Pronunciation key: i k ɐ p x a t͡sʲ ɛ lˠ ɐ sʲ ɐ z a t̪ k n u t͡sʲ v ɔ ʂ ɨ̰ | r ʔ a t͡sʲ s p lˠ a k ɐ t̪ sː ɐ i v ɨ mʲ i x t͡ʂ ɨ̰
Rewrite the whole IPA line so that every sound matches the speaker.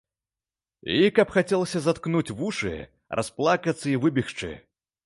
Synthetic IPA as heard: i k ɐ p x a t͡sʲ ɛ lˠ ɐ sʲ ɐ z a t̪ k n u t͡sʲ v u ʂ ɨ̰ | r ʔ a s p lˠ a k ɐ t̪ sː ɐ i v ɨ bʲ i x t͡ʂ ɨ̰